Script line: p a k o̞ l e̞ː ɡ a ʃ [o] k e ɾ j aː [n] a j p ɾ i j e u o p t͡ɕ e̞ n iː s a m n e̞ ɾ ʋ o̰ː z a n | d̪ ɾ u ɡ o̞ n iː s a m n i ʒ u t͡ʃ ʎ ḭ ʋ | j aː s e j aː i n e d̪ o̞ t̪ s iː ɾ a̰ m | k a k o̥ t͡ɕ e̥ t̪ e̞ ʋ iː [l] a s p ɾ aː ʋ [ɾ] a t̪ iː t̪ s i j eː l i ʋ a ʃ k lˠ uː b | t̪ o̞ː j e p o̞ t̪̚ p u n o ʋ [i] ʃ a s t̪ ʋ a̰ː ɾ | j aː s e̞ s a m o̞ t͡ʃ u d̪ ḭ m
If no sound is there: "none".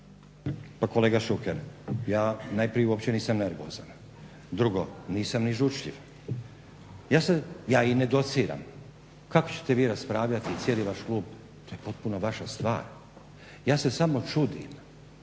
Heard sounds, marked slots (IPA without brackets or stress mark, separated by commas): u, n, ɾ, ʎ, a